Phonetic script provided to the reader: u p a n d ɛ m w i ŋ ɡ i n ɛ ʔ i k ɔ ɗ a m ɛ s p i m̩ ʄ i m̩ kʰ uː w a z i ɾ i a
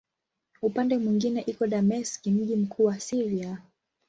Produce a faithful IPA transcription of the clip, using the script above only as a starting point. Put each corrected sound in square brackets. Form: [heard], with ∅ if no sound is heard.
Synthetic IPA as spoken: u p a n d ɛ m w i ŋ ɡ i n ɛ ʔ i k ɔ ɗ a m ɛ s [k] i m̩ ʄ i m̩ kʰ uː w a [s] i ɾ i a